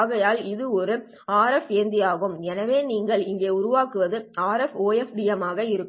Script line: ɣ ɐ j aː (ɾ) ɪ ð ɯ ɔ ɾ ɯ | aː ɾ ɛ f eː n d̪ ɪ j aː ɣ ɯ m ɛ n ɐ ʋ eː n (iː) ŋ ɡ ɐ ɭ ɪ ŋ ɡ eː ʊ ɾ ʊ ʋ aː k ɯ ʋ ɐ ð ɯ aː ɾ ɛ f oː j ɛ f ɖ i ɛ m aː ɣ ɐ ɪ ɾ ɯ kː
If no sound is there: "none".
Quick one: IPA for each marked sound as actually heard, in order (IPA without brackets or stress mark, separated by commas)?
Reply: l, iː